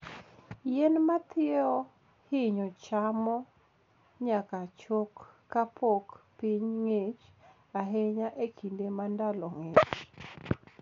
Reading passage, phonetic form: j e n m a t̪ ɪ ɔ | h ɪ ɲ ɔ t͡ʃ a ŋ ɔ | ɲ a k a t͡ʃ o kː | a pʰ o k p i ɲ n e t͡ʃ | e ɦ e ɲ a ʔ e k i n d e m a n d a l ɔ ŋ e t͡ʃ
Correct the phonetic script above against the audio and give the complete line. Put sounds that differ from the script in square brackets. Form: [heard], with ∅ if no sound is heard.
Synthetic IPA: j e n m a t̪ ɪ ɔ | h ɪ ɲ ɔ t͡ʃ a [m] ɔ | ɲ a k a t͡ʃ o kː | a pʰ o k p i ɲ [ŋ] e t͡ʃ | [a] ɦ e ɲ a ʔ e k i n d e m a n d a l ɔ ŋ e t͡ʃ